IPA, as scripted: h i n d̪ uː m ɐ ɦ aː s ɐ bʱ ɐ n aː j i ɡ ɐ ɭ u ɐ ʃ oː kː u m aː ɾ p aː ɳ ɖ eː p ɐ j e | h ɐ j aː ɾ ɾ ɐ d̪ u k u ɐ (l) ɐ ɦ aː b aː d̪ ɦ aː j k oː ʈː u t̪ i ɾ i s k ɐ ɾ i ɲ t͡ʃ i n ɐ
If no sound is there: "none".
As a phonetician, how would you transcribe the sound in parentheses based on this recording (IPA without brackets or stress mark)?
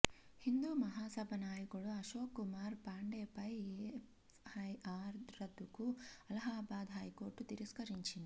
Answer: l